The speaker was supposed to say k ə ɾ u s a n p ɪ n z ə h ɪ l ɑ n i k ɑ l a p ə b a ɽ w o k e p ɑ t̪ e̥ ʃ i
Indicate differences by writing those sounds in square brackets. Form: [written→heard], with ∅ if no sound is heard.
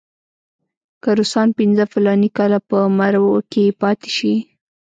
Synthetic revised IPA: k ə ɾ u s [a→ɑ] n p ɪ n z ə [h→f] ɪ l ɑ n i k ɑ l a p ə [b→m] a [ɽ→ɾ] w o k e p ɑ t̪ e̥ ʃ i